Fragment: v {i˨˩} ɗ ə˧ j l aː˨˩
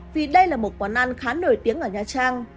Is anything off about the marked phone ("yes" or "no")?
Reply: no